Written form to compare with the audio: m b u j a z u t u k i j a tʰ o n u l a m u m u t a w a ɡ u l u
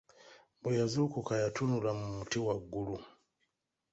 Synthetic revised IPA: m b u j a z u k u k a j a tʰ u n u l a m u m u t i w a ɡ u l u